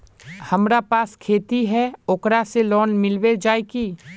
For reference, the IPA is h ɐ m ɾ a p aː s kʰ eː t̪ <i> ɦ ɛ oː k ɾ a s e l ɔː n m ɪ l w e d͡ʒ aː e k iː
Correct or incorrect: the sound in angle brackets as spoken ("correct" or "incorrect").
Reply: correct